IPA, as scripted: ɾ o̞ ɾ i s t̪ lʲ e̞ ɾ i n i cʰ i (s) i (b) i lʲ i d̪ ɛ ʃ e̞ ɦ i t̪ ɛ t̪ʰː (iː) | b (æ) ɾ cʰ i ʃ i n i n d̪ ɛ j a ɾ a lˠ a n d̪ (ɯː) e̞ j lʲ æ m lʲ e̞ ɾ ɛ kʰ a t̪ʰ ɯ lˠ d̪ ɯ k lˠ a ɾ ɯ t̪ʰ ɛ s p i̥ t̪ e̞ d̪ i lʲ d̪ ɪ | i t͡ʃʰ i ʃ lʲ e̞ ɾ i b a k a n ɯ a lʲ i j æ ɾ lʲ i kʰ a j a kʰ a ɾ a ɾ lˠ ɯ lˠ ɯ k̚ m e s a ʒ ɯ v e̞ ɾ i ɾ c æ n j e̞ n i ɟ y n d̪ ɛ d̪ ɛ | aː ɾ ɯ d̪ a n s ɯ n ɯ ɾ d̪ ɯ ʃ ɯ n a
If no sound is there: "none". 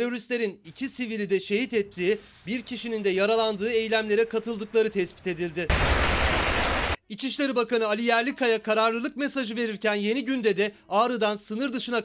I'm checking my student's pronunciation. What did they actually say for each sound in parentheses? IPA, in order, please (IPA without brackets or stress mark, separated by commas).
s, v, iː, i, ɯː